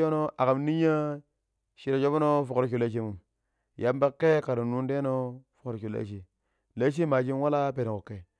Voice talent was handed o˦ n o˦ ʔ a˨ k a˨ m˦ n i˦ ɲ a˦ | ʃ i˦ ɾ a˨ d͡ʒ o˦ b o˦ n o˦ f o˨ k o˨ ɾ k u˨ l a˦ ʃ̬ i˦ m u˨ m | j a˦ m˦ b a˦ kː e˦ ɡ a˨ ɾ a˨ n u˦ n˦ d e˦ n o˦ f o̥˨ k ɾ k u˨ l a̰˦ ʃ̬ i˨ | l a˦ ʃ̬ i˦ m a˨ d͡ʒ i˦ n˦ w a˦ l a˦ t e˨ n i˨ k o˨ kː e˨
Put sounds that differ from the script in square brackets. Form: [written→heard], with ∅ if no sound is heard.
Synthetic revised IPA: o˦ n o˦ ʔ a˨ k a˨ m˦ n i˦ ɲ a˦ | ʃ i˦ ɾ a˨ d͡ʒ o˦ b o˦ n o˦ f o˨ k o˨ ɾ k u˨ l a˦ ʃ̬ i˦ m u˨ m | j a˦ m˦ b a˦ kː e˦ [ɡ→k] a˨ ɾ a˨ n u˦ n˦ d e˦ n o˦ f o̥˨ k ɾ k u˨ l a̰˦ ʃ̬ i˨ | l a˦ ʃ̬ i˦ m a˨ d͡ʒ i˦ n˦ w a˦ l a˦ [t→p] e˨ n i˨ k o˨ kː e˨